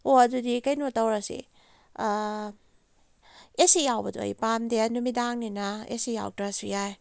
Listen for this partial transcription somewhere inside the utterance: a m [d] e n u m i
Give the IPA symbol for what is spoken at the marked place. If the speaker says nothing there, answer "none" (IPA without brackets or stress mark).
d